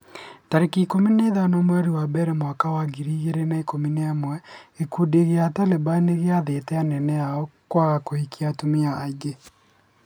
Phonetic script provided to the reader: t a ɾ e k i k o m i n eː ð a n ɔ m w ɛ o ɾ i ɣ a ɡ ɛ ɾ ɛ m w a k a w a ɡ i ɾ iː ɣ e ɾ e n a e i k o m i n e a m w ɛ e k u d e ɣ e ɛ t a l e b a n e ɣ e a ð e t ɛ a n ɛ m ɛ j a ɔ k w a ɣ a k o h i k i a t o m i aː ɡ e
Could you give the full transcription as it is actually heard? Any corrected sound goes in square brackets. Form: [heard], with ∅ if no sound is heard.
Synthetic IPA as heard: t a ɾ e k i k o m i n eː ð a n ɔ m w ɛ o ɾ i [w] a [b] ɛ ɾ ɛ m w a k a w a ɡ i ɾ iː ɣ e ɾ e n a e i k o m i n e a m w ɛ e k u d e ɣ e [a] t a l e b a n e ɣ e a ð e t ɛ a n ɛ [n] ɛ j a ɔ k w a ɣ a k o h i k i a t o m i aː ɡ e